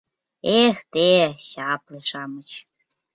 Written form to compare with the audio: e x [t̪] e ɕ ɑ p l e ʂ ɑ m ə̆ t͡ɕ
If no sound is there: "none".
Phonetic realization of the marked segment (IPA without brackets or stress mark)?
t̪